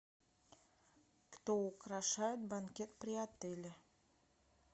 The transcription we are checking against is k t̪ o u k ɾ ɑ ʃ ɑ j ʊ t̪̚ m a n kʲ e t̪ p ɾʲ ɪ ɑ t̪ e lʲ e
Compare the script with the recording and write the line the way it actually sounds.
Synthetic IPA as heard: k t̪ o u k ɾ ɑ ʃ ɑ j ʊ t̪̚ b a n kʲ e t̪ p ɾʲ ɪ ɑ t̪ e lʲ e